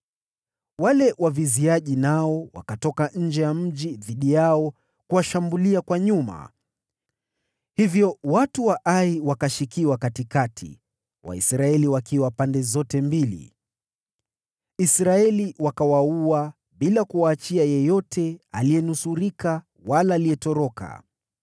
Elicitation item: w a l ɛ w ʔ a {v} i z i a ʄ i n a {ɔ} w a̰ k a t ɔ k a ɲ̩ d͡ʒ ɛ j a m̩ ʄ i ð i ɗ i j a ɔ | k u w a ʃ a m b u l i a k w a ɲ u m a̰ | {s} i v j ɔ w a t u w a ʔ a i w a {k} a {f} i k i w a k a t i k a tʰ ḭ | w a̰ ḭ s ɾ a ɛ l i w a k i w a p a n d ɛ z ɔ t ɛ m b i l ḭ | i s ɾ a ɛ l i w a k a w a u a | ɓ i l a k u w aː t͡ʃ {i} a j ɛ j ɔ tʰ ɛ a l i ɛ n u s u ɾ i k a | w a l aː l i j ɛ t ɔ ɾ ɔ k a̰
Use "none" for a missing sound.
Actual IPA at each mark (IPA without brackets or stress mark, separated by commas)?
v, ɔ, h, k, ʃ, i